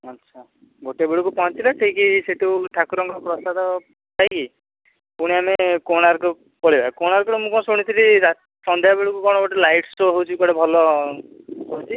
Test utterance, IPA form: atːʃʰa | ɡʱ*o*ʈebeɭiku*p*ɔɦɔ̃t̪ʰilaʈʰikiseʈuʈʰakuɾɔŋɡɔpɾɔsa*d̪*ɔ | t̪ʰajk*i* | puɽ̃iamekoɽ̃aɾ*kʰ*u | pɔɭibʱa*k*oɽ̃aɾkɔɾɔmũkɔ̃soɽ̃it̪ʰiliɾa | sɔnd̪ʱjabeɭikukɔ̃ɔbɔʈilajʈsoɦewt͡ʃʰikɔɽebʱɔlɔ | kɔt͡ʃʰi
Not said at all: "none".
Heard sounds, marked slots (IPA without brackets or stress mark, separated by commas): o, p, d̪, i, k, k